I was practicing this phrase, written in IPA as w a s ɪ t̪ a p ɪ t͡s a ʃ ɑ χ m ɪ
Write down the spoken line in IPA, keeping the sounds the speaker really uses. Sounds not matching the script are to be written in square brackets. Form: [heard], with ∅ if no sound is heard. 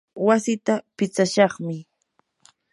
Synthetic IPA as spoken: w a s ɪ t̪ a p ɪ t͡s a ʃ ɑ χ m ɪ